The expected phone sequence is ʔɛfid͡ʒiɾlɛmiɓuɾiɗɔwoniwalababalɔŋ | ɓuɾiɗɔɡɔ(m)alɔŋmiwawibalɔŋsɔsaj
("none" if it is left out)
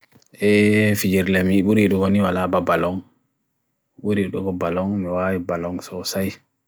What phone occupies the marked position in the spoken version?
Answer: b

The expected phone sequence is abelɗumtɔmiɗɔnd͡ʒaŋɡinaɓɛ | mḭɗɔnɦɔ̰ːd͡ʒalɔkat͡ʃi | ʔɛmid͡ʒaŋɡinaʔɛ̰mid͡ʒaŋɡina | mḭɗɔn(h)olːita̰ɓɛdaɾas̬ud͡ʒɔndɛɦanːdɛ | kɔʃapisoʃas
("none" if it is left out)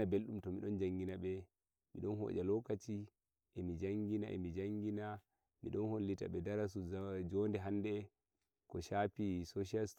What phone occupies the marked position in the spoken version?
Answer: h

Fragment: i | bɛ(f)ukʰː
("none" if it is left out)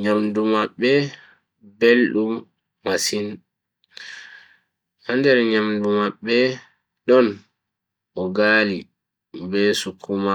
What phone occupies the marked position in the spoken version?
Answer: s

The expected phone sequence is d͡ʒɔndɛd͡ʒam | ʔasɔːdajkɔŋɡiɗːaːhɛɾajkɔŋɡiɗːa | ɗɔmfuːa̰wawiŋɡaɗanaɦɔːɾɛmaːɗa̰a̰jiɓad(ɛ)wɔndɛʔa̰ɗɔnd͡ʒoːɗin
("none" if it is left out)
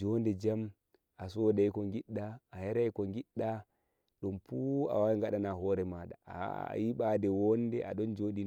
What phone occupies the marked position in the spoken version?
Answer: ɛ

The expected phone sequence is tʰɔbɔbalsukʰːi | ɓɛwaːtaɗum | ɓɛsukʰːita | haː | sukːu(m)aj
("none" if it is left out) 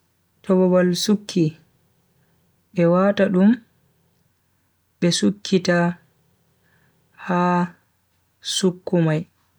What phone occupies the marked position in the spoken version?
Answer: m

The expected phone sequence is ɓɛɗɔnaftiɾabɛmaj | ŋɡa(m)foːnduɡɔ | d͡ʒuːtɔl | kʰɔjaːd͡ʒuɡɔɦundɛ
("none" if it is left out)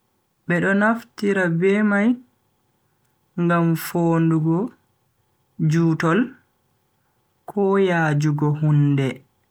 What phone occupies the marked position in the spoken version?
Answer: m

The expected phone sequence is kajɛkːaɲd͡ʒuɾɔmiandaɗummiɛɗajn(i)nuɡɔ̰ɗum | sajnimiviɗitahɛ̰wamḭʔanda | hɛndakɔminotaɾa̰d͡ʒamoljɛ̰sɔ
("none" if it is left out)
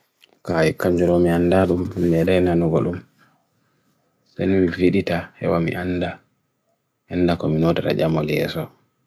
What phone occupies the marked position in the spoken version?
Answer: a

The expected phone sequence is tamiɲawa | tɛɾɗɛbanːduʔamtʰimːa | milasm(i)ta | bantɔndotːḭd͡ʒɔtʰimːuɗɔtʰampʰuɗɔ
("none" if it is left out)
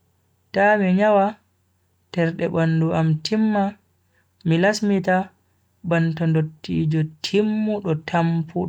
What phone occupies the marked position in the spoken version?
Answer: i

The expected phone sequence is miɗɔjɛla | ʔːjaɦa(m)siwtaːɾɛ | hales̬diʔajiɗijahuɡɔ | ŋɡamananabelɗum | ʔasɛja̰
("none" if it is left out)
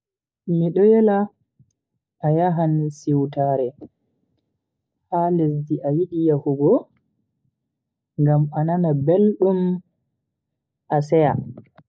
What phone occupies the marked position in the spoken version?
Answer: n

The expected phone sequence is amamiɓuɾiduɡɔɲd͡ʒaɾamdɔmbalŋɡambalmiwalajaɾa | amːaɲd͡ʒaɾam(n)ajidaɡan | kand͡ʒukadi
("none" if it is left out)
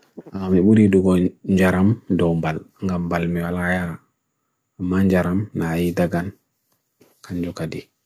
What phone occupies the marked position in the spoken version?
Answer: n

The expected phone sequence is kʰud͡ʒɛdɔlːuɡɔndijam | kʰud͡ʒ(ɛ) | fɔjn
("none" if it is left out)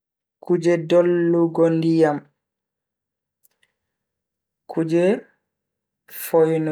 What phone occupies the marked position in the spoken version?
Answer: ɛ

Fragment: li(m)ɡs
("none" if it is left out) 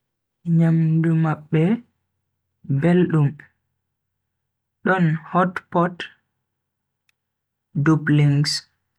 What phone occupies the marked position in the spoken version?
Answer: ŋ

